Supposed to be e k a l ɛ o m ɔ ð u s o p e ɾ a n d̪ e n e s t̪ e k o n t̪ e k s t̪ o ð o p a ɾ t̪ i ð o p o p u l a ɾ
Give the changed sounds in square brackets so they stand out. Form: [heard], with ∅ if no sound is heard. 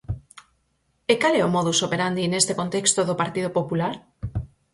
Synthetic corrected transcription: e k a l ɛ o m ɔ ð u s o p e ɾ a n d̪ [i] n e s t̪ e k o n t̪ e k s t̪ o ð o p a ɾ t̪ i ð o p o p u l a ɾ